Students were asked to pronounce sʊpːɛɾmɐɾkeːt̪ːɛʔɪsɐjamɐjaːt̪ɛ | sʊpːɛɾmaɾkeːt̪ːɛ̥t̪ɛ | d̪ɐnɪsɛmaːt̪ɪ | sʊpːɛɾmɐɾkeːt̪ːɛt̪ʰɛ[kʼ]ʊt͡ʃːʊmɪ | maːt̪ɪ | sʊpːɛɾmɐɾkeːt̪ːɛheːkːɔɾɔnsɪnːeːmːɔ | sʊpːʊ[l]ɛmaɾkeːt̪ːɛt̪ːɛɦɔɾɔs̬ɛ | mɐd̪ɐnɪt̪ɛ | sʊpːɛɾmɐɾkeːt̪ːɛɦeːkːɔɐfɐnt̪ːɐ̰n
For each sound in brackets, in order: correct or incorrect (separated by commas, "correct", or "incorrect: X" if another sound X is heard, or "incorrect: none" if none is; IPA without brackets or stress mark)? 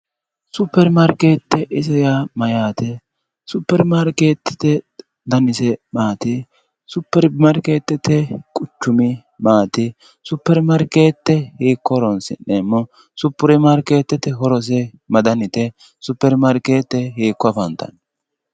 correct, incorrect: ɾ